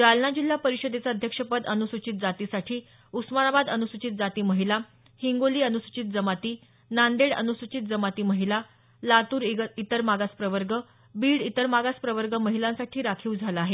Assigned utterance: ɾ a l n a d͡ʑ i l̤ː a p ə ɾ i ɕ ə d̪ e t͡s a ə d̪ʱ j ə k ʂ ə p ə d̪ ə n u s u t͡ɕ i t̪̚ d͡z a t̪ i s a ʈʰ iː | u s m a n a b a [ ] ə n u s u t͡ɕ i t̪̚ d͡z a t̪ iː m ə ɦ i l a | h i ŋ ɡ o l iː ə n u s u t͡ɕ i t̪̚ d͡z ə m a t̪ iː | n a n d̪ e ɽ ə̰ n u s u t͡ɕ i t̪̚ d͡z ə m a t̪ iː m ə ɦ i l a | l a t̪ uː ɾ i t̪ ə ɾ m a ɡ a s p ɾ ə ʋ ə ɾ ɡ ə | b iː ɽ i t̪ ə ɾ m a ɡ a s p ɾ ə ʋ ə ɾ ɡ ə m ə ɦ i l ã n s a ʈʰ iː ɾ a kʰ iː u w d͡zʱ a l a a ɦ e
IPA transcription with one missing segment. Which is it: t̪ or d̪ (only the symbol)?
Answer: d̪